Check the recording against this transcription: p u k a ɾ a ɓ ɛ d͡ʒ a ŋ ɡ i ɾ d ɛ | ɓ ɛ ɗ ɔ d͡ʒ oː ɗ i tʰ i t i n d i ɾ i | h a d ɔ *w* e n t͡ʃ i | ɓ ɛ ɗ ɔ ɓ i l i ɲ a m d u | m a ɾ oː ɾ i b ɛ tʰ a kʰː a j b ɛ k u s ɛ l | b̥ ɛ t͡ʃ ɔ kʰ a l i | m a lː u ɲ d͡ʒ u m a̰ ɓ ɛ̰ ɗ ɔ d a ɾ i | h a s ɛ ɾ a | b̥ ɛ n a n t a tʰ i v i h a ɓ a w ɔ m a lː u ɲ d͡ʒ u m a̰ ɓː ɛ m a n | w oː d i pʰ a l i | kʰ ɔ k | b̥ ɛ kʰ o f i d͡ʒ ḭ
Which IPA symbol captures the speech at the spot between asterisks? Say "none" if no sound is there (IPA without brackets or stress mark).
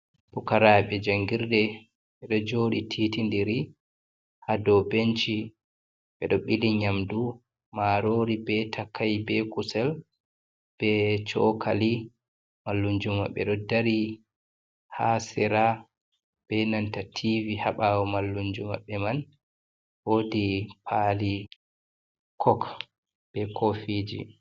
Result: b